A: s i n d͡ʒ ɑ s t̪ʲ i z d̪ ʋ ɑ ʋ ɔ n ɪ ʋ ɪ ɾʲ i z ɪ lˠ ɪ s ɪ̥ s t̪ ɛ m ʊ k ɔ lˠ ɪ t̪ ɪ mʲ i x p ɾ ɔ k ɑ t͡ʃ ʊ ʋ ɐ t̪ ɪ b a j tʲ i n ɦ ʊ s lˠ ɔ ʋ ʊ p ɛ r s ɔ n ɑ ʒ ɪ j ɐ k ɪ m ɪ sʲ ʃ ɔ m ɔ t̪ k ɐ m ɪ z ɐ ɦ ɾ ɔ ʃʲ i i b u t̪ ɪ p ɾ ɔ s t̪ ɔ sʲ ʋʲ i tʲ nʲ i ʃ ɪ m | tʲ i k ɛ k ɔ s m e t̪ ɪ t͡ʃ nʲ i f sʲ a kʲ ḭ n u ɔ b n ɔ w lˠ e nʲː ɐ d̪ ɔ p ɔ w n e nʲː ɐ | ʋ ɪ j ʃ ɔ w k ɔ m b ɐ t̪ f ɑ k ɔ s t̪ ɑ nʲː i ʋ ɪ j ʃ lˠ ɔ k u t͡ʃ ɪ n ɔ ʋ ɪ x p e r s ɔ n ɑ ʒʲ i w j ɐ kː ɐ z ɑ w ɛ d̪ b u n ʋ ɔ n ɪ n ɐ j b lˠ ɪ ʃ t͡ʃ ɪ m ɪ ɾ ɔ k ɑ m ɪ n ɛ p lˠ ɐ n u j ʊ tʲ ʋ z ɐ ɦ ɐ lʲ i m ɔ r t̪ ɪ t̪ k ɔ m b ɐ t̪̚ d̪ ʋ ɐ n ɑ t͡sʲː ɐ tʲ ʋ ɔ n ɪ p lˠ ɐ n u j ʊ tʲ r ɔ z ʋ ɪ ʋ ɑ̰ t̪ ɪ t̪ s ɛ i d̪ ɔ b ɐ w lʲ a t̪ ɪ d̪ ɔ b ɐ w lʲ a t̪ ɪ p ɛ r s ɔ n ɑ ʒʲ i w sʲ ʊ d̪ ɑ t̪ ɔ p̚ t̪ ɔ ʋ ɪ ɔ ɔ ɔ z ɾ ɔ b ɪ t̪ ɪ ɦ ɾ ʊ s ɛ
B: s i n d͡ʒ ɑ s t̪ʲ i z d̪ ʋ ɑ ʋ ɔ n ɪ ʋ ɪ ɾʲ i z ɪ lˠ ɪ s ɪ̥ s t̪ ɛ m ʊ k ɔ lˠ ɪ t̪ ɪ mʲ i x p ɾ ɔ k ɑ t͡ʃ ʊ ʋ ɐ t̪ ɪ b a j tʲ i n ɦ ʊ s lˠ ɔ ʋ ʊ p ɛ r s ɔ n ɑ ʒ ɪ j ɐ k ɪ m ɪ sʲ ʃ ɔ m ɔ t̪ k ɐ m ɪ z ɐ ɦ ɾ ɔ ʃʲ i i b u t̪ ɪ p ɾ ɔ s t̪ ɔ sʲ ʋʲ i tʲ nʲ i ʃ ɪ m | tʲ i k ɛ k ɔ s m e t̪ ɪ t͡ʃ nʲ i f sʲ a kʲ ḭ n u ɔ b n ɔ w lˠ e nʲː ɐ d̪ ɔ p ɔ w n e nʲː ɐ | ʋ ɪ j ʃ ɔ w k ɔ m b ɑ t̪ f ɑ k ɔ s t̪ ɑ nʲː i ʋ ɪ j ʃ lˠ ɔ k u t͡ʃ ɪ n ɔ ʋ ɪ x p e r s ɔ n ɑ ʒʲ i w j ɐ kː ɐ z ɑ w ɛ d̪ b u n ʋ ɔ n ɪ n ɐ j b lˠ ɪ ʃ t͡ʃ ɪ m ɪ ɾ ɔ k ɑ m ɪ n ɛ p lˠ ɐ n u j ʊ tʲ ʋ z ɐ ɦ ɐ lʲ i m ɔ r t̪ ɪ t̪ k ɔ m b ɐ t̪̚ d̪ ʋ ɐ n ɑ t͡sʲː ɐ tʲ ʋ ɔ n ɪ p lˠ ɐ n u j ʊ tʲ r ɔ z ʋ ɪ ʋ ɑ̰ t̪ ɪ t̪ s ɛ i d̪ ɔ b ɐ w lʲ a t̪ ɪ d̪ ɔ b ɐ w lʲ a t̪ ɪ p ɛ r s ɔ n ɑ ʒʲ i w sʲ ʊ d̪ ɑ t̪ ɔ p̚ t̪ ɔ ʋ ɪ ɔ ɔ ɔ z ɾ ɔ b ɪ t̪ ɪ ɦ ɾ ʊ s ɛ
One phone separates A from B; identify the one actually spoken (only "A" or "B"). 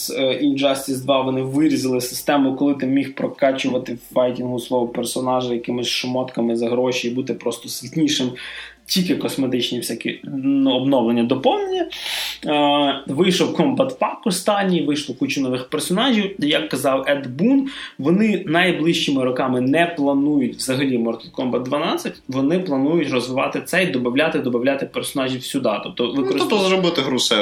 A